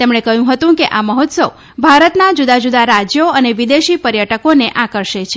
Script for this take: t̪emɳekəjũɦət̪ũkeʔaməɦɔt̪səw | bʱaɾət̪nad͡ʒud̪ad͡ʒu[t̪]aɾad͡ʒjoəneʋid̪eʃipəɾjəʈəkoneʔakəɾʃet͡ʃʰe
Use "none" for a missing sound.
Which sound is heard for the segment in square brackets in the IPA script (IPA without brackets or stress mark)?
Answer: d̪